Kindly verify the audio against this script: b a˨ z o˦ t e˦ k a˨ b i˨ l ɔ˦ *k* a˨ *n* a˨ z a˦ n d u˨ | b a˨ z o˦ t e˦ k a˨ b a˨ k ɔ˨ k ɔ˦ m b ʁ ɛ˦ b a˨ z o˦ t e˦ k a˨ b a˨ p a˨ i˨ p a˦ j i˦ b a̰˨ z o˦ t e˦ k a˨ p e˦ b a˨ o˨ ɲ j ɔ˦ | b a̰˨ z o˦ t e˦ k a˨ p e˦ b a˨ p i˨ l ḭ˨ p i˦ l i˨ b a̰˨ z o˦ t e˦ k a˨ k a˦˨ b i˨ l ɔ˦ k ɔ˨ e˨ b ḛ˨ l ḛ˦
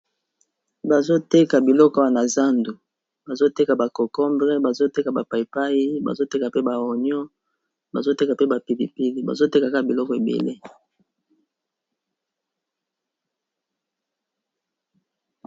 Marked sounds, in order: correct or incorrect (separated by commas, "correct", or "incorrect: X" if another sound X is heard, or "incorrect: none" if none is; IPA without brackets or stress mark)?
correct, correct